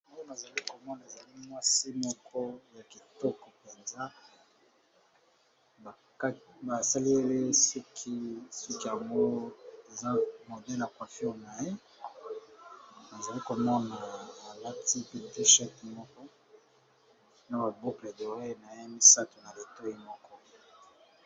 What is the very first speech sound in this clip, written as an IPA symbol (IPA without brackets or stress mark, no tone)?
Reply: m